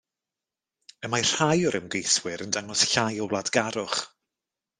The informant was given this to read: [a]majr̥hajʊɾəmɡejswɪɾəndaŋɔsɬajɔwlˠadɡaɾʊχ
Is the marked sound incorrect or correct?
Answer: incorrect